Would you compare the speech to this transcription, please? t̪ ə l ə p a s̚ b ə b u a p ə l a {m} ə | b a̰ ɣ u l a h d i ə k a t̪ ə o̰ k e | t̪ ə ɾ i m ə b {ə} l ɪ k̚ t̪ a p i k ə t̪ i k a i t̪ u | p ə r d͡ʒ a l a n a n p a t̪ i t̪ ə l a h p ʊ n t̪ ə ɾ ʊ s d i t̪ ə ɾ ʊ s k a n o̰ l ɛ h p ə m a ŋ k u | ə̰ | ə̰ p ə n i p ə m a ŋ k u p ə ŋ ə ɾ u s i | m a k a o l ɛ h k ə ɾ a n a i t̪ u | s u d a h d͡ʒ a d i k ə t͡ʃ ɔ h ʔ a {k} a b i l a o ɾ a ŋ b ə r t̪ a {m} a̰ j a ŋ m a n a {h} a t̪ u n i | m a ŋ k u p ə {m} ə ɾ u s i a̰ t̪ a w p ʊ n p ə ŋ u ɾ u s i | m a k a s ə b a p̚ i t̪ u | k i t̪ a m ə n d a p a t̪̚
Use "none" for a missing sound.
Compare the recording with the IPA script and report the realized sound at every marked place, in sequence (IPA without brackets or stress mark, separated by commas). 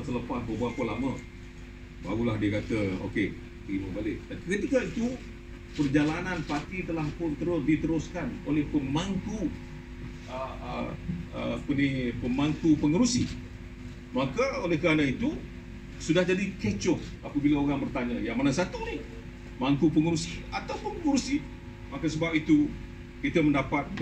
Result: m, a, p, ɲ, s, ŋ